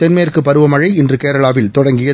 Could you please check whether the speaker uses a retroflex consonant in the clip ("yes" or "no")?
yes